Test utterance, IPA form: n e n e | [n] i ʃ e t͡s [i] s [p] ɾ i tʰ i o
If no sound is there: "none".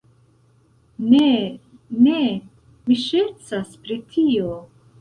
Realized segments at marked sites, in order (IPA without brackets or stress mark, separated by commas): m, a, p